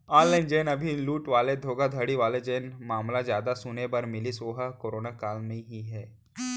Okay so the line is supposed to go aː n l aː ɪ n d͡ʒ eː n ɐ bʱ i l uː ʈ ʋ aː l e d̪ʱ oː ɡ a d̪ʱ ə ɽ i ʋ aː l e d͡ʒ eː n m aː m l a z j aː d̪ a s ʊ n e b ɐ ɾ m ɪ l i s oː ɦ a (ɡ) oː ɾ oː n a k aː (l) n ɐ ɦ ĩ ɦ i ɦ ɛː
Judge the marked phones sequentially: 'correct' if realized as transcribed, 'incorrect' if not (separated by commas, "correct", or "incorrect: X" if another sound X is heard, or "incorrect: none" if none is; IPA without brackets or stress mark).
incorrect: k, correct